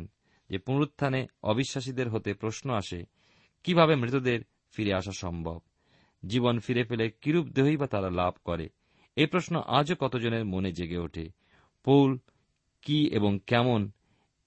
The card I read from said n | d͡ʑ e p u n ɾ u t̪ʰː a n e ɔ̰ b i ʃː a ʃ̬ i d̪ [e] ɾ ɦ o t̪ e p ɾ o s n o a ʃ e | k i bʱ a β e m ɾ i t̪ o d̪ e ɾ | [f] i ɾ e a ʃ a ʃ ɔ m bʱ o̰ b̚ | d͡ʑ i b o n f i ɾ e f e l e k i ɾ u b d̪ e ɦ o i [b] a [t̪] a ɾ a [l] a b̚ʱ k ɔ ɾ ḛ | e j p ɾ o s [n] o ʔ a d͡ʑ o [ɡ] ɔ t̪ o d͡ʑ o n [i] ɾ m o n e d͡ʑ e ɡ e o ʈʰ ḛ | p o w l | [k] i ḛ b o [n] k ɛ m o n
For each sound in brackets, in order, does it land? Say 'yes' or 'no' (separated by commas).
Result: yes, yes, yes, yes, yes, yes, no, no, yes, no